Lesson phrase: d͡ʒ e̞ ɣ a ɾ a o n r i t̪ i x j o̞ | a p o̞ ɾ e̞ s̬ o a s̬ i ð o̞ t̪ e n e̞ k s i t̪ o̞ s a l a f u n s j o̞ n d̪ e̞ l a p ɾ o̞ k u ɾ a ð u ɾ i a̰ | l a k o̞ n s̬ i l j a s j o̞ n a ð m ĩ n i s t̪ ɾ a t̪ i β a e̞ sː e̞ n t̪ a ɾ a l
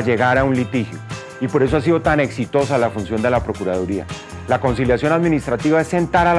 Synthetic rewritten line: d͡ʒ e̞ ɣ a ɾ a u n l i t̪ i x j o̞ | i p o̞ ɾ e̞ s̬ o a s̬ i ð o̞ t̪ a n e̞ k s i t̪ o̞ s a l a f u n s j o̞ n d̪ e̞ l a p ɾ o̞ k u ɾ a ð u ɾ i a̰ | l a k o̞ n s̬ i l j a s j o̞ n a ð m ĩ n i s t̪ ɾ a t̪ i β a e̞ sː e̞ n t̪ a ɾ a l